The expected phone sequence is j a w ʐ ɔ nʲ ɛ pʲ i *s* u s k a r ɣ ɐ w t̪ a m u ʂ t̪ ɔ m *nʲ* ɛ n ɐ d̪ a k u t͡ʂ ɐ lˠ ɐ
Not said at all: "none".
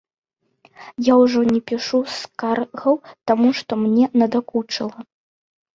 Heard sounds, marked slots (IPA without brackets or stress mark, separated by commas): ʂ, nʲ